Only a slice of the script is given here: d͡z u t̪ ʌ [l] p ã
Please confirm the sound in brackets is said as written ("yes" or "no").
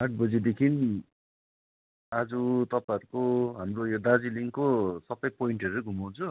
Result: no